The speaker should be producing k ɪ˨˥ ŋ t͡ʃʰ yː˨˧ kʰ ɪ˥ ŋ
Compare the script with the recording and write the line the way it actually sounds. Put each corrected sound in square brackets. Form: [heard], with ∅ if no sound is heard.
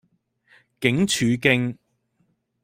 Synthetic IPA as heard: k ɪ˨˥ ŋ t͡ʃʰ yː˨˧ [k] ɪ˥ ŋ